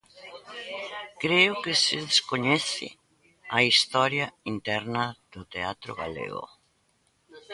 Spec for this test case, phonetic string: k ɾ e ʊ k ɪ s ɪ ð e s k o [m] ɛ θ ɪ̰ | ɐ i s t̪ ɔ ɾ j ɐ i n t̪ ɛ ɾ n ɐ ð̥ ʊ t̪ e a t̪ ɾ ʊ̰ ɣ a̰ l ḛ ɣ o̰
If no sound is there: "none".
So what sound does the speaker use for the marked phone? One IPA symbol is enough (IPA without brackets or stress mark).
ɲ